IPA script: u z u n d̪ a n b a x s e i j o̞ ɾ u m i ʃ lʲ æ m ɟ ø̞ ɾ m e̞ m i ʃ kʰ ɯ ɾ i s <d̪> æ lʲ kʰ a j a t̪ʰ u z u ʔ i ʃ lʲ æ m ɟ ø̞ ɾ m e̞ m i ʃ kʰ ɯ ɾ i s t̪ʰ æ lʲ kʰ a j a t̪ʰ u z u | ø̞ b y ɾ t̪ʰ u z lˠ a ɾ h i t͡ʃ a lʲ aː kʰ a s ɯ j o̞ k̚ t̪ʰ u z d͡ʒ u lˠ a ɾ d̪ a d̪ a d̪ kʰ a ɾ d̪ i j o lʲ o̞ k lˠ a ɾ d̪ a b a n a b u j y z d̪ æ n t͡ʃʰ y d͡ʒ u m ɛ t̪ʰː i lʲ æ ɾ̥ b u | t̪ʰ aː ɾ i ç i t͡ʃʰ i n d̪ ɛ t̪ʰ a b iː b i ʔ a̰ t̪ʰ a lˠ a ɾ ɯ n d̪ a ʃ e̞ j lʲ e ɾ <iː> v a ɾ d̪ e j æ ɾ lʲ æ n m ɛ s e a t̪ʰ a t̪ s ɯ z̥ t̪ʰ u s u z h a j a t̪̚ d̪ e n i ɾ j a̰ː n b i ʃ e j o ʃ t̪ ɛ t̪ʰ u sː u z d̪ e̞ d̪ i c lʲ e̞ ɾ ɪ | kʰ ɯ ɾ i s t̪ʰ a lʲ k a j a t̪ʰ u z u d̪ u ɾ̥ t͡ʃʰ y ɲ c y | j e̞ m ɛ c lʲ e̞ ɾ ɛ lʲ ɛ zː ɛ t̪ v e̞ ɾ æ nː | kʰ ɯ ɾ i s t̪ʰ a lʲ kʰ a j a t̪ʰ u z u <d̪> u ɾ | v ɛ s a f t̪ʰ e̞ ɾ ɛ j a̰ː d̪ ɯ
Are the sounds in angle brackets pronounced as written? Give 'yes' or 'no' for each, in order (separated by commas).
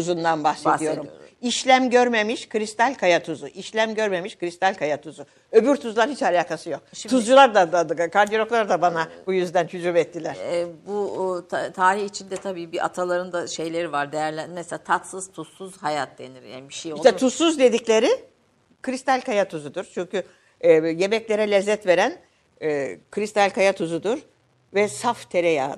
no, no, yes